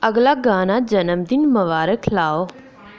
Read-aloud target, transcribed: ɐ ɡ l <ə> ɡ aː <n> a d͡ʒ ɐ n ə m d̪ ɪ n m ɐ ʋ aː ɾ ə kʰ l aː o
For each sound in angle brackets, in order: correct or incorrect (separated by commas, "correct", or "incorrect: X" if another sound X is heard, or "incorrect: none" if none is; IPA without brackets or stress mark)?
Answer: incorrect: a, correct